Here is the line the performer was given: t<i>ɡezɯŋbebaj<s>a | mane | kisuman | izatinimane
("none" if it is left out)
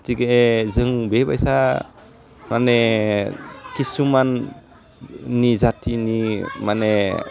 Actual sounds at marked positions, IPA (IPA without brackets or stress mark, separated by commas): i, s